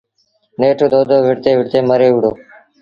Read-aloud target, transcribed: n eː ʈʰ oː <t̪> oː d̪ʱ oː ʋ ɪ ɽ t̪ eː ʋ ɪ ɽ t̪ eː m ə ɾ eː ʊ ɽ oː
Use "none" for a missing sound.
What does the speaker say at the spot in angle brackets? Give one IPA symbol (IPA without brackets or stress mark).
d̪